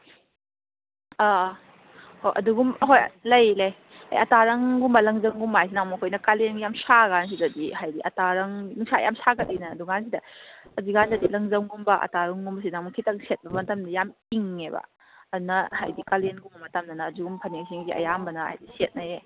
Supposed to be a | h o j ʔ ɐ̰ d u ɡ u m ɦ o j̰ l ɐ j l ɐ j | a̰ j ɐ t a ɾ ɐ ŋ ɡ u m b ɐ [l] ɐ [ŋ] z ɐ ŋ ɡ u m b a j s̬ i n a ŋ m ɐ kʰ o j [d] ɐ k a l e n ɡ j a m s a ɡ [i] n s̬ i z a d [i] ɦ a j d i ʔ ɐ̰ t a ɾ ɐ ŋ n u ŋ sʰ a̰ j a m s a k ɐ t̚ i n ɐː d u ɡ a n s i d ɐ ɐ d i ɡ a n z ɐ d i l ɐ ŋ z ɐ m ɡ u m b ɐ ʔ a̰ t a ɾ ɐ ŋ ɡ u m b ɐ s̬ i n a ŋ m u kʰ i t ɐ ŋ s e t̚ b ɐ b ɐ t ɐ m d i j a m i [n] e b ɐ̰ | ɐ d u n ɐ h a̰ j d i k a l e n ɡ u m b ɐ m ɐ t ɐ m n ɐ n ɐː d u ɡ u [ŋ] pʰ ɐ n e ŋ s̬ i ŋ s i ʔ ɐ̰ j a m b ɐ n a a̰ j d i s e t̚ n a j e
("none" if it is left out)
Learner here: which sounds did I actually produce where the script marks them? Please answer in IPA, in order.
l, ŋ, n, a, i, ŋ, m

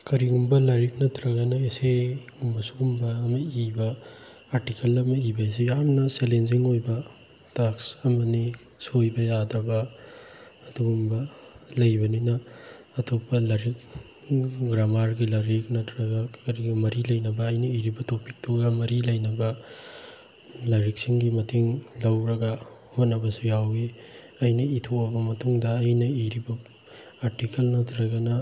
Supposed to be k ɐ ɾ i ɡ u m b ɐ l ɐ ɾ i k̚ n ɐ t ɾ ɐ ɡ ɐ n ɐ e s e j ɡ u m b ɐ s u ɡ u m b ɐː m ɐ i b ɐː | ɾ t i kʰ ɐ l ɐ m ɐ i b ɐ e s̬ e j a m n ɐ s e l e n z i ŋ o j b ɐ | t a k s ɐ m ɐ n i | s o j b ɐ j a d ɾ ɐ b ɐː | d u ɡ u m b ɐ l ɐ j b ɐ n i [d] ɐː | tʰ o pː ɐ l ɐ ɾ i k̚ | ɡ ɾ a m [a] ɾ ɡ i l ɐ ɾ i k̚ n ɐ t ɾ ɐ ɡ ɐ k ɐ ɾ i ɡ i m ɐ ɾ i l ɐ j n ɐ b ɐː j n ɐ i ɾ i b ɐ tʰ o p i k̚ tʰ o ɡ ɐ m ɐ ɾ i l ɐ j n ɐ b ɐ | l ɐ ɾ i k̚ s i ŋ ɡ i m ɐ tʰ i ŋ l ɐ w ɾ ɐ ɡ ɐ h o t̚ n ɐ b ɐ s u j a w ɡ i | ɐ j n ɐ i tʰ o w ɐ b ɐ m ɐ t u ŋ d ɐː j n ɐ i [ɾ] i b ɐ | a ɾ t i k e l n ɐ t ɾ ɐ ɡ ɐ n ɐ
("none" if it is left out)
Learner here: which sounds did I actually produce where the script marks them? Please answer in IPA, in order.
n, a, ɾ

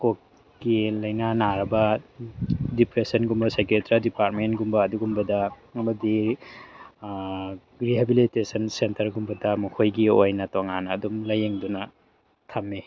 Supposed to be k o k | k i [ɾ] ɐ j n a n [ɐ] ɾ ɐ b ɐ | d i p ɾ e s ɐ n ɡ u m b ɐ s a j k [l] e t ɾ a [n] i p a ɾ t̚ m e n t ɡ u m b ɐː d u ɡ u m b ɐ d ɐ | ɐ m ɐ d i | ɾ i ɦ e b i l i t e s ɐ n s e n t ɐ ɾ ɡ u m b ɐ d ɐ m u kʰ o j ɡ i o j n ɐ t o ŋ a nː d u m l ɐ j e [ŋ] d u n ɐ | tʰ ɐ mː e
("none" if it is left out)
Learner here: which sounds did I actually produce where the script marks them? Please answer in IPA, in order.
l, a, ɾ, d, ŋ

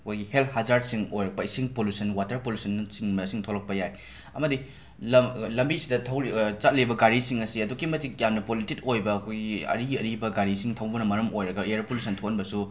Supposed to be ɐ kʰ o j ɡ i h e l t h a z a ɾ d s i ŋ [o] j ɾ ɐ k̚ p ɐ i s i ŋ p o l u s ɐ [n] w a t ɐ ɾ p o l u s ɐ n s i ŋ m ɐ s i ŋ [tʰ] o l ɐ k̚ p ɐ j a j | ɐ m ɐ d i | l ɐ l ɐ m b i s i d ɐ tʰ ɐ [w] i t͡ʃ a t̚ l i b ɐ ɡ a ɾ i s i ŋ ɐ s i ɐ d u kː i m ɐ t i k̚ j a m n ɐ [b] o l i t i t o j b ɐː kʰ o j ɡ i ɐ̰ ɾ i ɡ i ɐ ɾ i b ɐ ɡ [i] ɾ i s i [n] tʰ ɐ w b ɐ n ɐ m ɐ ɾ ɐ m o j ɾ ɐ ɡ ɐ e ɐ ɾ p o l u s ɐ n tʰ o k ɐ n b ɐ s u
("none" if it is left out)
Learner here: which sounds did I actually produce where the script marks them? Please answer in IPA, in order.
o, n, tʰ, w, p, a, ŋ

